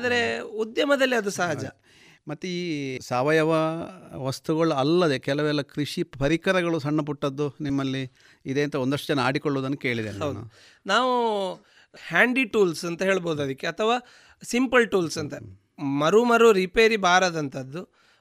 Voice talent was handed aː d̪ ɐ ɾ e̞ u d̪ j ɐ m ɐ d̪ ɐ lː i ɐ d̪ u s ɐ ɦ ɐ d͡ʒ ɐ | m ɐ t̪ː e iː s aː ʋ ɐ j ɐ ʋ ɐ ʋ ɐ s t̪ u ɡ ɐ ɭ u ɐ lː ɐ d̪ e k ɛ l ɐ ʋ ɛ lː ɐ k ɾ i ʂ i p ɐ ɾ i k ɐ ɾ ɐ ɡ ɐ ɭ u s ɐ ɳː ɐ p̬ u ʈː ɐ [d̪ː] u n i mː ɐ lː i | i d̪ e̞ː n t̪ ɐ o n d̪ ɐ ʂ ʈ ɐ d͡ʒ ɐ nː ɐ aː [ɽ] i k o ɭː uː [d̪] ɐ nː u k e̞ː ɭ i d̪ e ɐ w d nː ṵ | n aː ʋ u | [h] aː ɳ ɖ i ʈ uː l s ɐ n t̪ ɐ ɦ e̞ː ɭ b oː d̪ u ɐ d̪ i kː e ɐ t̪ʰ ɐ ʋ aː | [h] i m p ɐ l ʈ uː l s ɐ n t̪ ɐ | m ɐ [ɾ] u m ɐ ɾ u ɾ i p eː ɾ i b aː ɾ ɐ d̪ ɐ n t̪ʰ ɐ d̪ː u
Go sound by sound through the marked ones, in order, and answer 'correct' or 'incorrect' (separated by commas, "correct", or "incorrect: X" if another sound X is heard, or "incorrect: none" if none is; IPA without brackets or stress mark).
correct, correct, correct, correct, incorrect: s, correct